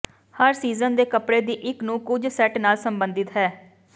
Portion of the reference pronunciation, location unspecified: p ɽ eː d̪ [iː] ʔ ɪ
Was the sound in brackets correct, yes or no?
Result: yes